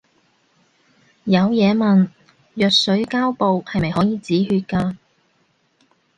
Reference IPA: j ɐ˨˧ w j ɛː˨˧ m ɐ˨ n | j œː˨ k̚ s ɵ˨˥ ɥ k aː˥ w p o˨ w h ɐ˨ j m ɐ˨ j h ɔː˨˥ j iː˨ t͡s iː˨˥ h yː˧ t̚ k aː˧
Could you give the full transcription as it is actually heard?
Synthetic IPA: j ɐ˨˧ w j ɛː˨˧ m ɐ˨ n | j œː˨ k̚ s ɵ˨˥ ɥ k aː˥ w p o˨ w h ɐ˨ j m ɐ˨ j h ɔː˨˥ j iː˨ t͡s iː˨˥ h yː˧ t̚ k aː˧